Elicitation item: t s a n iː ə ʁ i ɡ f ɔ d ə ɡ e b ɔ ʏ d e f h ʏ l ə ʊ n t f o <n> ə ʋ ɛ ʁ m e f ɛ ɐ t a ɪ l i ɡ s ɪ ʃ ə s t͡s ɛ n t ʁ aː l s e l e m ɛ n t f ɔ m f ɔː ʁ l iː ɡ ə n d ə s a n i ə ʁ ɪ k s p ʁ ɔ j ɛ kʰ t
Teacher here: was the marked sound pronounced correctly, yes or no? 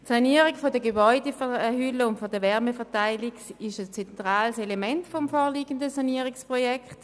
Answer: no